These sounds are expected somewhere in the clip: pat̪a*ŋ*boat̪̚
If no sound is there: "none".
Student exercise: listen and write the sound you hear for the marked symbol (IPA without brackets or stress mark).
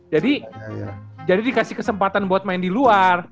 n